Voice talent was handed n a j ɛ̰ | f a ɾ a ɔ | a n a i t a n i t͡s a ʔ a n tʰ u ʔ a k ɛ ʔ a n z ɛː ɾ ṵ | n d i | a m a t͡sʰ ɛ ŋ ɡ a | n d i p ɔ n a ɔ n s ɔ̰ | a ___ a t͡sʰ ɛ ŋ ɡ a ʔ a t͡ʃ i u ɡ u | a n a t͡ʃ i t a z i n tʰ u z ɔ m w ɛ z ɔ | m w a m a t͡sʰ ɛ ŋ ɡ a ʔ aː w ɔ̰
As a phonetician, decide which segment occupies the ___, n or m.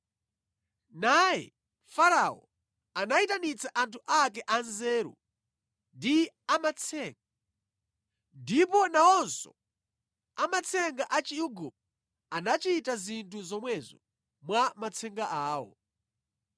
m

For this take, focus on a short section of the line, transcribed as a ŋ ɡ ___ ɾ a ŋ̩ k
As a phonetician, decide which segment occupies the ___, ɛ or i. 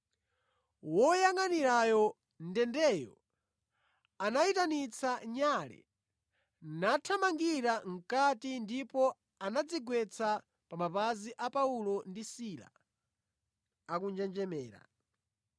i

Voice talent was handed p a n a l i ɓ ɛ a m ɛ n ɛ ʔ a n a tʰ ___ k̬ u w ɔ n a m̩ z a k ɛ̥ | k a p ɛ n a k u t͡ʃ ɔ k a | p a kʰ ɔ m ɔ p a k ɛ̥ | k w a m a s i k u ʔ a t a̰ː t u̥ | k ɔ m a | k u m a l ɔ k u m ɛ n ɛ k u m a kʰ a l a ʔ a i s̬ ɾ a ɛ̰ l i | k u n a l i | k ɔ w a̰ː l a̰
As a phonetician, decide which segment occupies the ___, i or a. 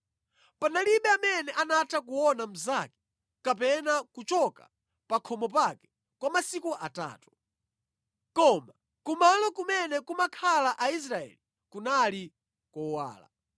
a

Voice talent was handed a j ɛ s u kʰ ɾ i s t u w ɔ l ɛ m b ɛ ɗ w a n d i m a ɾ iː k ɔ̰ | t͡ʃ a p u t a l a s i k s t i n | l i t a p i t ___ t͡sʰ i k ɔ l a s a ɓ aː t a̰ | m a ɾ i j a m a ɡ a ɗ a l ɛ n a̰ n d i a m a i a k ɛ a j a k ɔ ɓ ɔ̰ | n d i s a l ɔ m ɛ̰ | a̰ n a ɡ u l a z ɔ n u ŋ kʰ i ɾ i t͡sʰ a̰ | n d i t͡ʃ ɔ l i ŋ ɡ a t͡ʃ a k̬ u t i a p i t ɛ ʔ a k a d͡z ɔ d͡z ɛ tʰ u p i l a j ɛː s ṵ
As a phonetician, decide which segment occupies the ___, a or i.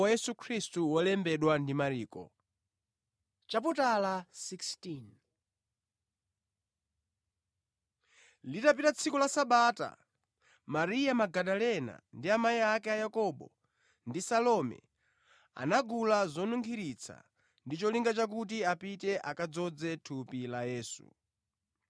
a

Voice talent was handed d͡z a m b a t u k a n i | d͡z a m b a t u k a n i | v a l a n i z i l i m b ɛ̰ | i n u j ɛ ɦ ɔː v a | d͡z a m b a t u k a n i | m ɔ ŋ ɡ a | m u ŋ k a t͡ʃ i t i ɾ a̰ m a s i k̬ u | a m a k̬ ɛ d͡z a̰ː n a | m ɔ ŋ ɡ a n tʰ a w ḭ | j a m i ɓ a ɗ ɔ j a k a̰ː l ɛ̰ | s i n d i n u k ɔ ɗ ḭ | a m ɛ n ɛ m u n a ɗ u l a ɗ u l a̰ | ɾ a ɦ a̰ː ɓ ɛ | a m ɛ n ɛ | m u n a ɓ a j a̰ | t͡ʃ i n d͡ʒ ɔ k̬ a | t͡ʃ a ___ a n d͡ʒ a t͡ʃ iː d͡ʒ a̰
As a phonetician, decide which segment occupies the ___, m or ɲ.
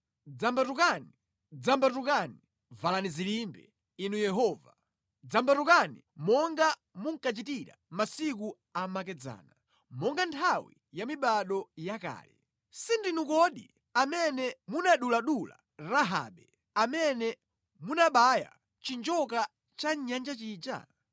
ɲ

